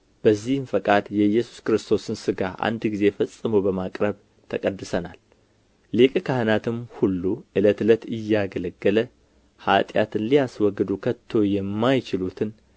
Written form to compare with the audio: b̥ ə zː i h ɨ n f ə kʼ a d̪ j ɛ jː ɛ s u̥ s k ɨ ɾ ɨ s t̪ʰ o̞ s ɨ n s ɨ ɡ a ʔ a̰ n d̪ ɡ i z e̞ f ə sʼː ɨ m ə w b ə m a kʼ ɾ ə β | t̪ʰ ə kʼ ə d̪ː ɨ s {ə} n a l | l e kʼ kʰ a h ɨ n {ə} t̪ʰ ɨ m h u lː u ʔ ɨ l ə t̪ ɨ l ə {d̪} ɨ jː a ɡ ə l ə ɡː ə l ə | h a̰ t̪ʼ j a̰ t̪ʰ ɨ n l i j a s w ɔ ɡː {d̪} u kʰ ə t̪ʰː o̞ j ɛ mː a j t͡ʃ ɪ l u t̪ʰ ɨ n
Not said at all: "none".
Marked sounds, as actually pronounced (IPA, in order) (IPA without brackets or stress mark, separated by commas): ə, a, t̪, d̪